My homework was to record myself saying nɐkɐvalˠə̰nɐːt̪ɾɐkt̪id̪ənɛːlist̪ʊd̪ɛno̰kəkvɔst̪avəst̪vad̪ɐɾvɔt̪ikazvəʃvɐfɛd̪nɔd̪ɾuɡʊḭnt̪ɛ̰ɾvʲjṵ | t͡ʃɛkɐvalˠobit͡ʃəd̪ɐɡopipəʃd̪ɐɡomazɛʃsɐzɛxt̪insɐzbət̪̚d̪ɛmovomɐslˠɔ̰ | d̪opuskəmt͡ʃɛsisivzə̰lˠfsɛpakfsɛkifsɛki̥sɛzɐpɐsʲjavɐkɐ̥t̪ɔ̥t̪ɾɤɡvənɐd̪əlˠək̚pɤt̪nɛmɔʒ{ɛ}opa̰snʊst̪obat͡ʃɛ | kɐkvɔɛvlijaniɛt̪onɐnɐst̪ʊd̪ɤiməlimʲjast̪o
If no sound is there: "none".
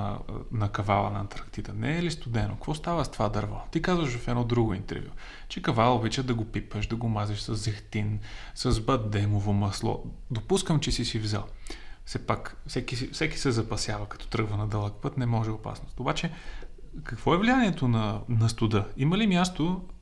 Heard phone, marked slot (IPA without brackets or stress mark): ɛ